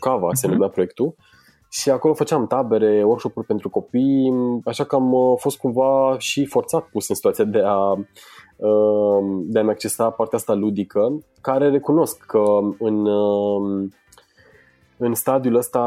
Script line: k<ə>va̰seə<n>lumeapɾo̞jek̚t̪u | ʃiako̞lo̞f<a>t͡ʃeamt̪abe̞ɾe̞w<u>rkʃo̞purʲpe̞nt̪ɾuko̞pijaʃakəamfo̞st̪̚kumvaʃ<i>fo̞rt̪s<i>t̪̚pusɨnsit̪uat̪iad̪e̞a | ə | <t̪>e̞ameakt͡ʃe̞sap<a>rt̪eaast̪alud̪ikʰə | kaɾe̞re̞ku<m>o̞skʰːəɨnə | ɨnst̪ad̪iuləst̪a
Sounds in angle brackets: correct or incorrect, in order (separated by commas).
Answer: incorrect, correct, incorrect, incorrect, correct, incorrect, incorrect, correct, incorrect